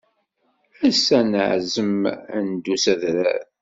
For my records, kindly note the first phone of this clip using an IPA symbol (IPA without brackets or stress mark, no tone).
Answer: æ